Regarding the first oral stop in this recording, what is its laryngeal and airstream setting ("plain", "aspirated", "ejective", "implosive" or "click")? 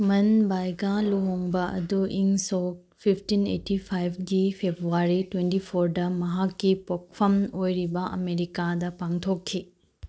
plain